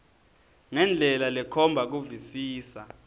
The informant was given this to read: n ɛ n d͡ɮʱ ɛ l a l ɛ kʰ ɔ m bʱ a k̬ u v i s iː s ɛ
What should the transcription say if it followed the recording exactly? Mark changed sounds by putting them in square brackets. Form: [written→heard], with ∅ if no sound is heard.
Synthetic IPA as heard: [n→ŋ] ɛ n d͡ɮʱ ɛ l a l ɛ kʰ ɔ m bʱ a k̬ u v i s iː s [ɛ→a]